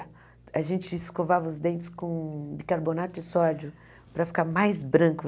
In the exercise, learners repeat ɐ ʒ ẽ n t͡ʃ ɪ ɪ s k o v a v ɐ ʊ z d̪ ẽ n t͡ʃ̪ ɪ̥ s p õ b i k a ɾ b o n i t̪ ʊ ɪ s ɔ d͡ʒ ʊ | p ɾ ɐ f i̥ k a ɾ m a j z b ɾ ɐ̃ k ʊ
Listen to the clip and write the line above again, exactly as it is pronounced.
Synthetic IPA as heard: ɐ ʒ ẽ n t͡ʃ ɪ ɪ s k o v a v ɐ ʊ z d̪ ẽ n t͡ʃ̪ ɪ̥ s k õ b i k a ɾ b o n a t̪ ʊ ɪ s ɔ d͡ʒ ʊ | p ɾ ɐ f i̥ k a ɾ m a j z b ɾ ɐ̃ k ʊ